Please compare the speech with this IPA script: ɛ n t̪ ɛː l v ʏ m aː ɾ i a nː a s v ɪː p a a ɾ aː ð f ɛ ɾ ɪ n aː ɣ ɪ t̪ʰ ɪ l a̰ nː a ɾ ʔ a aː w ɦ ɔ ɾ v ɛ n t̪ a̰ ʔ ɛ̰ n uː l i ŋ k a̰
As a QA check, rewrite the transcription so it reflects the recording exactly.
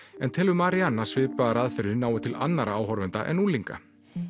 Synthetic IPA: ɛ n t̪ʰ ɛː l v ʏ m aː ɾ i a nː a s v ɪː p a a ɾ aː ð f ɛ ɾ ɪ n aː w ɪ t̪ʰ ɪ l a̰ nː a ɾ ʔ a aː w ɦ ɔ ɾ v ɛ n t̪ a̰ ʔ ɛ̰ n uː l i ŋ k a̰